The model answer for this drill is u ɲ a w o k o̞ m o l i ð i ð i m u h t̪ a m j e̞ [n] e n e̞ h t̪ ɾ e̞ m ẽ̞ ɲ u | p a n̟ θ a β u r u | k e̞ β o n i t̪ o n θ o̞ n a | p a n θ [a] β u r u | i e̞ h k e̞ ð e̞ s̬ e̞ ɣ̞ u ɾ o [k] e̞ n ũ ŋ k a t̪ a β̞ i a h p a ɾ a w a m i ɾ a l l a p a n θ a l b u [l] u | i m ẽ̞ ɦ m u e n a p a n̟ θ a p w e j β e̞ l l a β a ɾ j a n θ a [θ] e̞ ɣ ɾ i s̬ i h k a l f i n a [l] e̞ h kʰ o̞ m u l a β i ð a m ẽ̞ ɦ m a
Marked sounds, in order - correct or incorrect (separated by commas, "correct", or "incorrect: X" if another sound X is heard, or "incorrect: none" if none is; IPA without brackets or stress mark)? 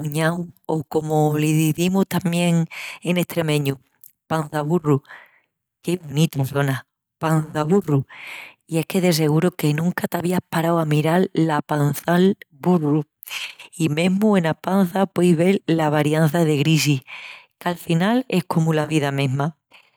incorrect: ŋ, correct, correct, incorrect: r, incorrect: ð, correct